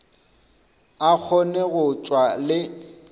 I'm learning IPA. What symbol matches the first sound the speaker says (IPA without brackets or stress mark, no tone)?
a